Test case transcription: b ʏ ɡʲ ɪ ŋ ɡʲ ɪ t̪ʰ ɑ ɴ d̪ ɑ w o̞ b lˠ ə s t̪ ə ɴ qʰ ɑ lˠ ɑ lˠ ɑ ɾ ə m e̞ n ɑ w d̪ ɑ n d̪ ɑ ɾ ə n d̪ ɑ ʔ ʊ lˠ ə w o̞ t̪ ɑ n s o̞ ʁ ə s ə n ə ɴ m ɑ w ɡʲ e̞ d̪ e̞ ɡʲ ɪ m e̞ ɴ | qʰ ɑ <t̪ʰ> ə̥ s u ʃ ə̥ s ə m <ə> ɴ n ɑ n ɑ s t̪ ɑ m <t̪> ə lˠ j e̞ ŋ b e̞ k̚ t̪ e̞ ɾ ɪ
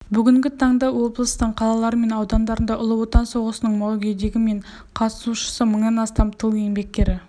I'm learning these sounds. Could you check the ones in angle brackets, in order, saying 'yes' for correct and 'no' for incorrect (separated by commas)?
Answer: no, yes, no